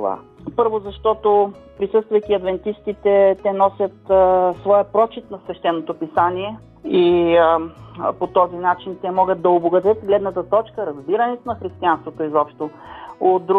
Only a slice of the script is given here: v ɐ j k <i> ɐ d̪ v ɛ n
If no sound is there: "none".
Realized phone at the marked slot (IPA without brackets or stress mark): i